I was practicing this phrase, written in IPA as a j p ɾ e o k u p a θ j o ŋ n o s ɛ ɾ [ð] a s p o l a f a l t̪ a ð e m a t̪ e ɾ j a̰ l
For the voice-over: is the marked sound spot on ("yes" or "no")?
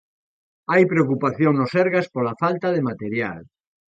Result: no